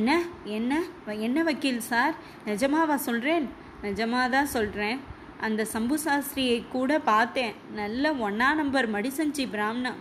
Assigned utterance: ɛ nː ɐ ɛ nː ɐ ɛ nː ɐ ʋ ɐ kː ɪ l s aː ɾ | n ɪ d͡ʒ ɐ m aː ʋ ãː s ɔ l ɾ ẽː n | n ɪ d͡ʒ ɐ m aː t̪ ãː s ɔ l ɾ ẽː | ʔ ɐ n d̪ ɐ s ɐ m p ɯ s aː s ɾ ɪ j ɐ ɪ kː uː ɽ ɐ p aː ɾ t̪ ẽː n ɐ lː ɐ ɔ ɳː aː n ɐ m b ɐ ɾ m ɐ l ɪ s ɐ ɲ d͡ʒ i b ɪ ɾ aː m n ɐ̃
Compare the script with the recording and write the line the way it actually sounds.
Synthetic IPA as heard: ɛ nː ɐ ɛ nː ɐ ɛ nː ɐ ʋ ɐ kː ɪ l s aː ɾ | n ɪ d͡ʒ ɐ m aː ʋ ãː s ɔ l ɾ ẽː n | n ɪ d͡ʒ ɐ m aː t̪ ãː s ɔ l ɾ ẽː | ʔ ɐ n d̪ ɐ s ɐ m b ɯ s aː s ɾ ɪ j ɐ ɪ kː uː ɽ ɐ p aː ɾ t̪ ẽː n ɐ lː ɐ ɔ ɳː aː n ɐ m b ɐ ɾ m ɐ ɽ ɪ s ɐ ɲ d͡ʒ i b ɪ ɾ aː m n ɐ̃